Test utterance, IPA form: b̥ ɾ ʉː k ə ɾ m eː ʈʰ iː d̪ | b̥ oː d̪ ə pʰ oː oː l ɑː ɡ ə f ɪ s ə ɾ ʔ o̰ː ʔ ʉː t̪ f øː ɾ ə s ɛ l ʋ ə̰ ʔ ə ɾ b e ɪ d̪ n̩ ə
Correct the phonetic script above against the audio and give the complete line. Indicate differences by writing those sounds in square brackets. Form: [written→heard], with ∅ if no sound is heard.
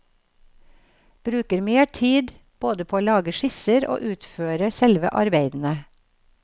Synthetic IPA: b̥ ɾ ʉː k ə ɾ m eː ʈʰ iː d̪ | b̥ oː d̪ ə pʰ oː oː l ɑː ɡ ə [f→ʃ] ɪ s ə ɾ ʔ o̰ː ʔ ʉː t̪ f øː ɾ ə s ɛ l ʋ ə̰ ʔ [ə→ɑ] ɾ b e ɪ d̪ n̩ ə